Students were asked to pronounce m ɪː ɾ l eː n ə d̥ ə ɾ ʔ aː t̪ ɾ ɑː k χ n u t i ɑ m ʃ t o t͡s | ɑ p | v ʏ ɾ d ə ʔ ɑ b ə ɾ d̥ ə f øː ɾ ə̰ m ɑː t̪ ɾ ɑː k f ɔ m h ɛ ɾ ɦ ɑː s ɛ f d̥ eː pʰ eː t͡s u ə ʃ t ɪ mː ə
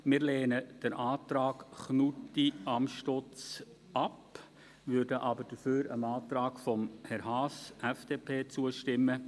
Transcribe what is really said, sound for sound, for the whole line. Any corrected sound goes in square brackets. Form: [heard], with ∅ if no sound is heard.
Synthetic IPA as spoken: m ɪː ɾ l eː n ə d̥ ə ɾ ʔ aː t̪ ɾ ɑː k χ n u t i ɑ m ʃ t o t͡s | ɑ p | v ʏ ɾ d ə ʔ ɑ b ə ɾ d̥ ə f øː ɾ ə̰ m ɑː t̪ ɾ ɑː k f ɔ m h ɛ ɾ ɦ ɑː s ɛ f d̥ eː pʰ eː t͡s u ə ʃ t ɪ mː ə